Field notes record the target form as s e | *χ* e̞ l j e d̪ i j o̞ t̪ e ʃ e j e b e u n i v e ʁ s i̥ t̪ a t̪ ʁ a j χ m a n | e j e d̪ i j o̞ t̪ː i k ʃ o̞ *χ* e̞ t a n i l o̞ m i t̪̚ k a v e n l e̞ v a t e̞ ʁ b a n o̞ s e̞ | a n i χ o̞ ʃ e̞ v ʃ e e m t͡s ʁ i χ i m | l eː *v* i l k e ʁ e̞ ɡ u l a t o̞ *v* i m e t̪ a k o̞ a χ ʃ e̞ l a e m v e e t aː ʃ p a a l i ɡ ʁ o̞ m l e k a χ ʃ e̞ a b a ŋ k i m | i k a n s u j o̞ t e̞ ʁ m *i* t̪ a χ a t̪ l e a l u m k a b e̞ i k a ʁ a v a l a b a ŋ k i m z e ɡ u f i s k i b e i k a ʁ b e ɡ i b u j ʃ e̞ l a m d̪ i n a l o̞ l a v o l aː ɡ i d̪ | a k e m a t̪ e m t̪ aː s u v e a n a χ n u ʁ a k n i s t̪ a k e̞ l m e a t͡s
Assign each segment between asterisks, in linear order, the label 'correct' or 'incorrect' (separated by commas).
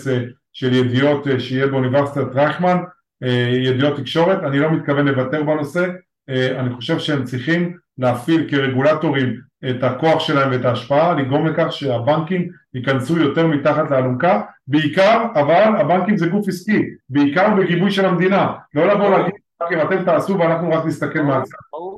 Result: incorrect, incorrect, incorrect, incorrect, correct